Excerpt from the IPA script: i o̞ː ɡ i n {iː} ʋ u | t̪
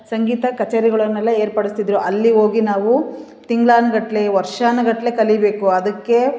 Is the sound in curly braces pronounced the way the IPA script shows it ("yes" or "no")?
no